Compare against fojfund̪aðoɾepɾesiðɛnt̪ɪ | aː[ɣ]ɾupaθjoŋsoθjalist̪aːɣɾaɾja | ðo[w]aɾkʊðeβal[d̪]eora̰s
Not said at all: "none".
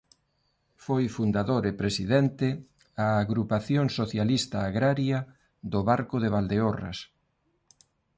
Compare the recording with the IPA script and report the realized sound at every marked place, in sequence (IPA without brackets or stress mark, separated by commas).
ɣ, β, d̪